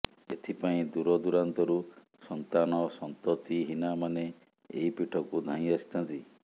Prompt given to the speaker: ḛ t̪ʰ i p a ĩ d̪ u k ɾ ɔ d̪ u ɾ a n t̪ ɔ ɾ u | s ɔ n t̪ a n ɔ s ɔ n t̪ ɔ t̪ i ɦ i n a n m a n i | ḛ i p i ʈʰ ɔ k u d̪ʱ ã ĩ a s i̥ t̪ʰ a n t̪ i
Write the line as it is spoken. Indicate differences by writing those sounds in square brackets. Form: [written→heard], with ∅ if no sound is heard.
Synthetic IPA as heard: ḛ t̪ʰ i p a ĩ d̪ u [k→∅] ɾ ɔ d̪ u ɾ a n t̪ ɔ ɾ u | s ɔ n t̪ a n ɔ s ɔ n t̪ ɔ t̪ i ɦ i n a [n→∅] m a n [i→e] | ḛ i p i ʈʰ ɔ k u d̪ʱ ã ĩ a s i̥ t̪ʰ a n t̪ i